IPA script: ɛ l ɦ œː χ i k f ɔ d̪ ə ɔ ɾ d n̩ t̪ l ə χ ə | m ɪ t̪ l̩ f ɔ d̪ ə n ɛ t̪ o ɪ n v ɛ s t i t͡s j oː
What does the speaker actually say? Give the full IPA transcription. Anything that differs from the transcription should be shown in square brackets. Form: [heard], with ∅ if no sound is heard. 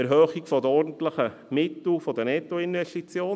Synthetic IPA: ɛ [ɾ] ɦ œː χ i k f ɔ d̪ ə ɔ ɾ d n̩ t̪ l ə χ ə | m ɪ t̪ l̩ f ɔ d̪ ə n ɛ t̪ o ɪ n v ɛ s t i t͡s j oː